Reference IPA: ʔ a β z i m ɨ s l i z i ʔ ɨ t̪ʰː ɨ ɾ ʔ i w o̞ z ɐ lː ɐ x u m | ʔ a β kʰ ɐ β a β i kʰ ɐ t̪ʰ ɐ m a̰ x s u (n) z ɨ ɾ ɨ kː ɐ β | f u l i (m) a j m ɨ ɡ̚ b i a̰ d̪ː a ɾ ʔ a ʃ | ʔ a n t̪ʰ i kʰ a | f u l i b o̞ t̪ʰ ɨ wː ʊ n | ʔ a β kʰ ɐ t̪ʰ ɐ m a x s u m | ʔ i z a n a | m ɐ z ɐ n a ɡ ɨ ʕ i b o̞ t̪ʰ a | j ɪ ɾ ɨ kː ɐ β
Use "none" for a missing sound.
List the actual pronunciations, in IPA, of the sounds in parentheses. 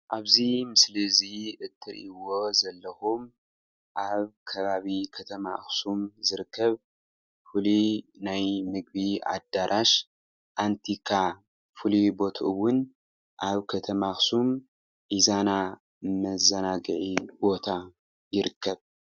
m, n

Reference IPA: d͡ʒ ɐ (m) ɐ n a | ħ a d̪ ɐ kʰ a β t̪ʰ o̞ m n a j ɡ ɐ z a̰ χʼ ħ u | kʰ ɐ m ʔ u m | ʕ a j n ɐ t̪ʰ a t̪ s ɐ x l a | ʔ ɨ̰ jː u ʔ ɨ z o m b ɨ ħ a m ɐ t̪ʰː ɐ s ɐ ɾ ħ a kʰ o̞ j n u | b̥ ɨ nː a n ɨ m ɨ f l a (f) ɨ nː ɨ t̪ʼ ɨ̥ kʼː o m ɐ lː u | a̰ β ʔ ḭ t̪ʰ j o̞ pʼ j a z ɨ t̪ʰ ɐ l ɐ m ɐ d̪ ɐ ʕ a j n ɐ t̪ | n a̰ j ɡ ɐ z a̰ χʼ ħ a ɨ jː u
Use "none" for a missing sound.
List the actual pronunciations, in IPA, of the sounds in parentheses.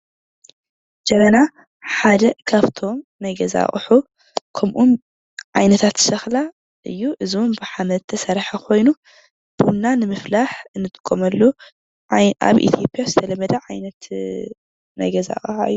m, ħ

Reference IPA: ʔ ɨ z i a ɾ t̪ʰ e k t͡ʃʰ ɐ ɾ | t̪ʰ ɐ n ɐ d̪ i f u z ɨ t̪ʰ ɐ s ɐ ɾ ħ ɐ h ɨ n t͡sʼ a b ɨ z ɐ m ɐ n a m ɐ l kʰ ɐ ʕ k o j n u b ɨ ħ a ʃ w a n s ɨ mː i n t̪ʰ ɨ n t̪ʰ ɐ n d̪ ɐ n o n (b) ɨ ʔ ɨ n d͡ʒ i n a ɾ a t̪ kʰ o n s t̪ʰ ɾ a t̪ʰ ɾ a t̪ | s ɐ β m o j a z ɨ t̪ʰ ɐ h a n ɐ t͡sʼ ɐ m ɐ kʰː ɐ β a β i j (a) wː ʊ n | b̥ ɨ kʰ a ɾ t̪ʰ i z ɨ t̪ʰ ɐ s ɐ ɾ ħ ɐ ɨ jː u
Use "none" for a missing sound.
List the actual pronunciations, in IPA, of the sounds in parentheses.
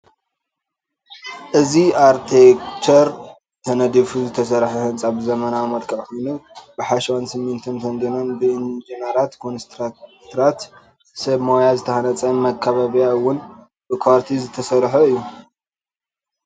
b, a

